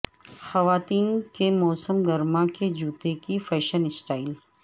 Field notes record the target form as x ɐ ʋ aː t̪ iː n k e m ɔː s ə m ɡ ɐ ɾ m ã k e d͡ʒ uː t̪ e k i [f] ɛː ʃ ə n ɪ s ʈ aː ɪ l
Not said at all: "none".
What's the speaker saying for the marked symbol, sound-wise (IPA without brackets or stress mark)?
f